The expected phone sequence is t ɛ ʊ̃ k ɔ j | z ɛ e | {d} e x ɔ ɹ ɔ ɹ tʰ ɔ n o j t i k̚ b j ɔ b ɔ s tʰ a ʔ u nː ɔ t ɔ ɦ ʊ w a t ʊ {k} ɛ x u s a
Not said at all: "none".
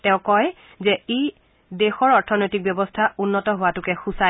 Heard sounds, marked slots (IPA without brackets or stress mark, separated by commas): d, k